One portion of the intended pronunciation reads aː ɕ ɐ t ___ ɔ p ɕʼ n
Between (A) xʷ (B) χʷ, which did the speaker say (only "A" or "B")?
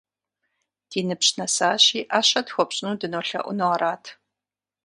A